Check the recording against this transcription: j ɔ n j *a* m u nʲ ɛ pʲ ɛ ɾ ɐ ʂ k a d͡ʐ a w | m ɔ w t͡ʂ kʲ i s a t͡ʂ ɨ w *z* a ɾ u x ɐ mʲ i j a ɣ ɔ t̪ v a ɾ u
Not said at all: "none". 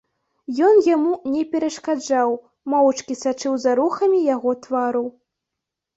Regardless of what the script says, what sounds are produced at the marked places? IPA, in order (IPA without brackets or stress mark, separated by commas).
a, z